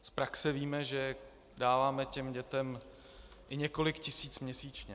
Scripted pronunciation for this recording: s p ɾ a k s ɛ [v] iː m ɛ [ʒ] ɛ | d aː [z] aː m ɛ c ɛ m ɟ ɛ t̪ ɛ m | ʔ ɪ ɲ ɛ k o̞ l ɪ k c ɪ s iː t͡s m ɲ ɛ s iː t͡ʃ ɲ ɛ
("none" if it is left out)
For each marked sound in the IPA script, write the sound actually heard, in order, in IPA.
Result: v, ʒ, v

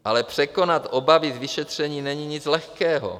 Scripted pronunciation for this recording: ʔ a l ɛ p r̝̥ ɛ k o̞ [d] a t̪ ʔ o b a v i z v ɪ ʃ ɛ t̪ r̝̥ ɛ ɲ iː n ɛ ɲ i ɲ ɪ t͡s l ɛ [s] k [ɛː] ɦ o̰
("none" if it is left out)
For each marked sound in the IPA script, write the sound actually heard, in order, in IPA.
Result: n, x, ɛː

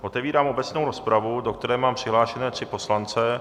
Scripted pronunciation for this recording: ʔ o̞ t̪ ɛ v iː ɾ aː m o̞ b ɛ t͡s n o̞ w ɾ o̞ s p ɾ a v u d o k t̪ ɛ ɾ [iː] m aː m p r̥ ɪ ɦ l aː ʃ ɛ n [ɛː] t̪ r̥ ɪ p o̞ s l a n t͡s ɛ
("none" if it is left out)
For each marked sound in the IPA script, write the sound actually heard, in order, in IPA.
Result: ɛː, ɛː

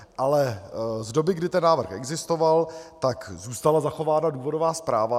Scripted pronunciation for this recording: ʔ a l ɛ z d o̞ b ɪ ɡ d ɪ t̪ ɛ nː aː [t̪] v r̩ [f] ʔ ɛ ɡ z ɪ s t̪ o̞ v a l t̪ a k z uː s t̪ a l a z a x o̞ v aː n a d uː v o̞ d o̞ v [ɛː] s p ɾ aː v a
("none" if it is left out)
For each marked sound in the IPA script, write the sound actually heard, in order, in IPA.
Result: none, x, aː

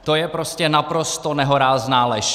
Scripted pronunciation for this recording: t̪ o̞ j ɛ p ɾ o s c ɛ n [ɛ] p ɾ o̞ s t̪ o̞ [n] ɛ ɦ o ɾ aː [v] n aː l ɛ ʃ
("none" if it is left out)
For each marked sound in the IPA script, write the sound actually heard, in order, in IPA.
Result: a, n, z

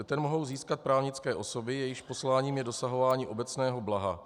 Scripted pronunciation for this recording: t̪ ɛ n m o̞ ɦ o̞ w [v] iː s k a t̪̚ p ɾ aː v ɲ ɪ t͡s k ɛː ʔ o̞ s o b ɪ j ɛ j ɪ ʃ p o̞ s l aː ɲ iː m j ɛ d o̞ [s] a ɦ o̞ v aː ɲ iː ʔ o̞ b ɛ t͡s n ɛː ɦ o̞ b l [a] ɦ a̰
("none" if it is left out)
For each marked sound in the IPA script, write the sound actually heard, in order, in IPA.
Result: z, s, a

